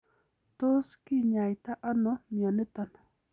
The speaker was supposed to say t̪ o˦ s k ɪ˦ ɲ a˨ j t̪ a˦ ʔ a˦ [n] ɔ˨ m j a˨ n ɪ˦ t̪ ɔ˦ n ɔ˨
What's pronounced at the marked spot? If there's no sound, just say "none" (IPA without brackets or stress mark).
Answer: n